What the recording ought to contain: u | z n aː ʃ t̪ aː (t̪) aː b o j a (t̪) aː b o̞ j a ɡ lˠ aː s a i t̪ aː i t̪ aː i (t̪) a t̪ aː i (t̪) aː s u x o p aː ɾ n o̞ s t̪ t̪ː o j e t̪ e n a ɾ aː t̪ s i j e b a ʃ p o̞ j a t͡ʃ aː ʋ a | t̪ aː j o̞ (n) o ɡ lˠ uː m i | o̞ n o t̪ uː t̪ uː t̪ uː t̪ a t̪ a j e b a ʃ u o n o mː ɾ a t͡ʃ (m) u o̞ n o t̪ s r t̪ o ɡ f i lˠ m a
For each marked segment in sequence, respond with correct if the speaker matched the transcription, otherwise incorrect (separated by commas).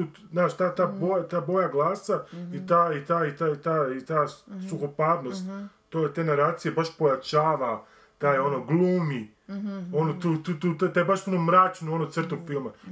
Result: correct, correct, correct, correct, correct, incorrect